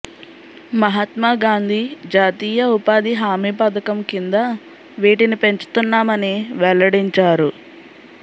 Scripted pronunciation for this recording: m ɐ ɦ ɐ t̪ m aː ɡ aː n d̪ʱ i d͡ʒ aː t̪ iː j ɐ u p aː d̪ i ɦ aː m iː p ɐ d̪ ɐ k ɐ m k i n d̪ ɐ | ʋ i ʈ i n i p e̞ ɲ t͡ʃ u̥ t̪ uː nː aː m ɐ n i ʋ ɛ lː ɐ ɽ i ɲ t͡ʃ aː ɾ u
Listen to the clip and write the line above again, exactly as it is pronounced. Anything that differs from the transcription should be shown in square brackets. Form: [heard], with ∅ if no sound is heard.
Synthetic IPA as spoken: m ɐ ɦ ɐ t̪ m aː ɡ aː n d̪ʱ i d͡ʒ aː t̪ iː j ɐ u p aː d̪ i ɦ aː m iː p ɐ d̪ ɐ k ɐ m k i n d̪ ɐ | ʋ [iː] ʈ i n i p e̞ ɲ t͡ʃ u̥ t̪ [u] nː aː m ɐ n i ʋ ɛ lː ɐ ɽ i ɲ t͡ʃ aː ɾ u

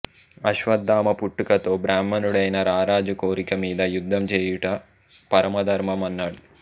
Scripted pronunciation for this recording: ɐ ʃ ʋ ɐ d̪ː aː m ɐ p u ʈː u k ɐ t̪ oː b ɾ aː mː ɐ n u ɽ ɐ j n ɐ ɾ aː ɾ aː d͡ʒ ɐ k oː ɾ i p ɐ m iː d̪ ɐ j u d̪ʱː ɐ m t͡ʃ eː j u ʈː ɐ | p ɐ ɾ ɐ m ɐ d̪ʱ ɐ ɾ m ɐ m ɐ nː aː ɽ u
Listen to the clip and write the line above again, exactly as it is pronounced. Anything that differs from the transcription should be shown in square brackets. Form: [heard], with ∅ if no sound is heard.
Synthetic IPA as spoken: ɐ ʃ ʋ ɐ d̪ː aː m ɐ p u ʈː u k ɐ t̪ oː b ɾ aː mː ɐ n u ɽ ɐ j n ɐ ɾ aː ɾ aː d͡ʒ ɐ k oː ɾ i [k] ɐ m iː d̪ ɐ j u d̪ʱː ɐ m t͡ʃ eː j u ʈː ɐ | p ɐ ɾ ɐ m ɐ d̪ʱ ɐ ɾ m ɐ m ɐ nː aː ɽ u

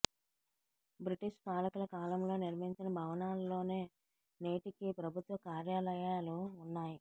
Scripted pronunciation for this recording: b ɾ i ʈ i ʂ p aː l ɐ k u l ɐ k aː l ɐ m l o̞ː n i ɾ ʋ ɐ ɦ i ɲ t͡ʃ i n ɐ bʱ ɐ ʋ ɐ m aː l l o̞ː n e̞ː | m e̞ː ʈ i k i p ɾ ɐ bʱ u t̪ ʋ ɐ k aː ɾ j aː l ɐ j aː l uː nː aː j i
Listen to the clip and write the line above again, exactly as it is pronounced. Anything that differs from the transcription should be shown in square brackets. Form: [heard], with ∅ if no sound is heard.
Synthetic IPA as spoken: b ɾ i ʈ i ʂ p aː l ɐ k u l ɐ k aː l ɐ m l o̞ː n i ɾ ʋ ɐ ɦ i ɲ t͡ʃ i n ɐ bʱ ɐ ʋ ɐ [n] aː l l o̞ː n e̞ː | [n] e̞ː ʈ i k i p ɾ ɐ bʱ u t̪ ʋ ɐ k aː ɾ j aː l ɐ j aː l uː nː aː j i

